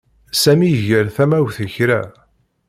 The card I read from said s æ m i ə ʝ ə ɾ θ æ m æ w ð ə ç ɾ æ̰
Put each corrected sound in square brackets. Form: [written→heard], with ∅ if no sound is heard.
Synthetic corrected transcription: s æ m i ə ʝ ə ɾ θ æ m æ w [ð→θ] ə ç ɾ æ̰